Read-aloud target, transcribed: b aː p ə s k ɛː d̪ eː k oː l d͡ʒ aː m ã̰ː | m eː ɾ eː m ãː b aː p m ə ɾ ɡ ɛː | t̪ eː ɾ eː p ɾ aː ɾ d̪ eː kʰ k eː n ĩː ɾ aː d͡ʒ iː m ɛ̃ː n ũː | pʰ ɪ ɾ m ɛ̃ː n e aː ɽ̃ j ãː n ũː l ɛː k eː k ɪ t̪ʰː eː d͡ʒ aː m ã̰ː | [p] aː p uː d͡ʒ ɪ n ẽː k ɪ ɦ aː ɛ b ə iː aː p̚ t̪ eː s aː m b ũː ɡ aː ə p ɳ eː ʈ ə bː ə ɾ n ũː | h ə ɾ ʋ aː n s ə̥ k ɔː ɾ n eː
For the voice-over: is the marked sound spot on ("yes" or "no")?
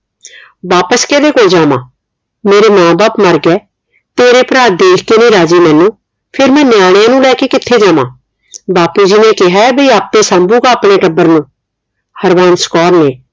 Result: no